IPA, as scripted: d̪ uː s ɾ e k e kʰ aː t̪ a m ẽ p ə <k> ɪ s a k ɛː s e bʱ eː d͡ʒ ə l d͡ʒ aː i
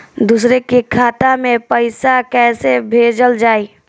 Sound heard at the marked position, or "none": none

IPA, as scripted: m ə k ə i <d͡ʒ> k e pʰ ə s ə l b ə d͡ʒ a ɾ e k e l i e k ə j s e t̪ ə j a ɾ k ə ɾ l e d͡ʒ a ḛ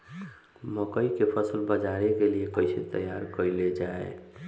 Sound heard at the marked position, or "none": none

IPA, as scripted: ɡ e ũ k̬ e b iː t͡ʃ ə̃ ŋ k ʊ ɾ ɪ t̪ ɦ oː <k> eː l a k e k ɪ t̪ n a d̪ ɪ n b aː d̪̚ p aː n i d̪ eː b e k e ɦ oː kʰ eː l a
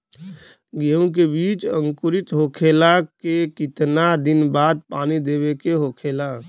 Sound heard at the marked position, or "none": kʰ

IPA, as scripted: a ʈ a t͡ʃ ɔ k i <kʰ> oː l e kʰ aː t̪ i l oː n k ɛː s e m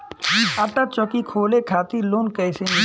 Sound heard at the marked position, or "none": kʰ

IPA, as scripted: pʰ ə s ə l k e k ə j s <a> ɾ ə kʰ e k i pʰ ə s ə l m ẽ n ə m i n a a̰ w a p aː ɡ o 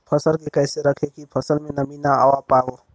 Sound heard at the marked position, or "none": e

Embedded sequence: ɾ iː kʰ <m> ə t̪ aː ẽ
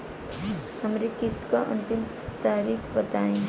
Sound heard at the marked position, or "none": b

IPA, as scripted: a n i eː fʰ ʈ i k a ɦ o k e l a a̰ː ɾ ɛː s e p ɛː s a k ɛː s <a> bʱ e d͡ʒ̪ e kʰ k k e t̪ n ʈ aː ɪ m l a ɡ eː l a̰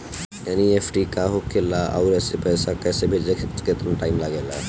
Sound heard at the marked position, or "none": e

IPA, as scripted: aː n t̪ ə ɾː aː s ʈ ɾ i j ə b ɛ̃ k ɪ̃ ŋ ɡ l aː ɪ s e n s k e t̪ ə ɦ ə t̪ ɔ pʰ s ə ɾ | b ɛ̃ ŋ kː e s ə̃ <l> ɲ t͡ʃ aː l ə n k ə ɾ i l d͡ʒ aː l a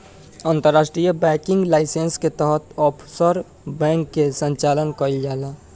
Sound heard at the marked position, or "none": none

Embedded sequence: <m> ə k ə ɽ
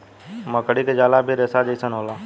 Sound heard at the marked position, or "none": m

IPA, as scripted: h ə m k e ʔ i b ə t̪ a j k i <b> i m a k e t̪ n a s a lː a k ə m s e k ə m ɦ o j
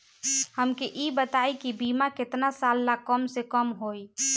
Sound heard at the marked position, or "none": b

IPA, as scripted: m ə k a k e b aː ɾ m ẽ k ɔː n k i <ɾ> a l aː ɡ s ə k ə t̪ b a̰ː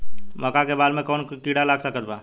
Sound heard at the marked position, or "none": ɽ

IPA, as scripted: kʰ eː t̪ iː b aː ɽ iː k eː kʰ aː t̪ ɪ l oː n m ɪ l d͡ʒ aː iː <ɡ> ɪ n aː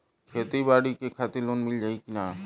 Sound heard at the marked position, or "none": k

